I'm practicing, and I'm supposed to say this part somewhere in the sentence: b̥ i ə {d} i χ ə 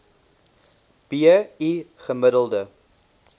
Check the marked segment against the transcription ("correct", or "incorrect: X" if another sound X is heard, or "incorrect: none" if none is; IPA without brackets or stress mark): incorrect: none